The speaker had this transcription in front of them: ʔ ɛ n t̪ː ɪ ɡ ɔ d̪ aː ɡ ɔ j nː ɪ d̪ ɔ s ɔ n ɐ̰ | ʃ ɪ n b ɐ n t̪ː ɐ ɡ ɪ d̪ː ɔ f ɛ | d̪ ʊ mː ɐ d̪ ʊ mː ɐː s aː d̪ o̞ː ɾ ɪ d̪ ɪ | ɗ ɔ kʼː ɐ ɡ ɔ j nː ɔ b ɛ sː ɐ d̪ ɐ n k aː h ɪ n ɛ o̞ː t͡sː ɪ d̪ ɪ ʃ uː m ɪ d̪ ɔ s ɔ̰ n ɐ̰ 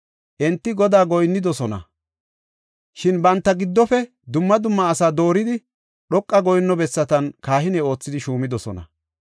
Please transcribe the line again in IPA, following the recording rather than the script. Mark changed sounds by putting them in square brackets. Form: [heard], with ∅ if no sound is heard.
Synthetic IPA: ʔ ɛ n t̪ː ɪ ɡ ɔ d̪ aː ɡ ɔ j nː ɪ d̪ ɔ s ɔ n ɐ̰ | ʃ ɪ n b ɐ n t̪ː ɐ ɡ ɪ d̪ː ɔ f ɛ | d̪ ʊ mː ɐ d̪ ʊ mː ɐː s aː d̪ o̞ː ɾ ɪ d̪ ɪ | ɗ ɔ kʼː ɐ ɡ ɔ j nː ɔ b ɛ sː ɐ [t̪] ɐ n k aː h ɪ n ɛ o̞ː t͡sː ɪ d̪ ɪ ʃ uː m ɪ d̪ ɔ s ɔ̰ n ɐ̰